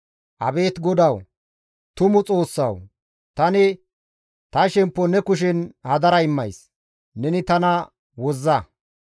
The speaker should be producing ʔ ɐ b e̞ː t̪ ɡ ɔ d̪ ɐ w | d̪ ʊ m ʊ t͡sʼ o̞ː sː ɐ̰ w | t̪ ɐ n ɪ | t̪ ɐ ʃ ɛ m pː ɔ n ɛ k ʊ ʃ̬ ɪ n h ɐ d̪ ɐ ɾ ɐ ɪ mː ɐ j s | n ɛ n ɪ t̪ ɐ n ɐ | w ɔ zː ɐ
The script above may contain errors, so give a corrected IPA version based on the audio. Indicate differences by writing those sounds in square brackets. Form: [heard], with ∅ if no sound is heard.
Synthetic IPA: ʔ ɐ b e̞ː t̪ ɡ ɔ d̪ ɐ w | [t̪] ʊ m ʊ t͡sʼ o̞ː sː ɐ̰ w | t̪ ɐ n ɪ | t̪ ɐ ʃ ɛ m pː ɔ n ɛ k ʊ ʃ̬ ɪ n h ɐ d̪ ɐ ɾ ɐ ɪ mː ɐ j s | n ɛ n ɪ t̪ ɐ n ɐ | w ɔ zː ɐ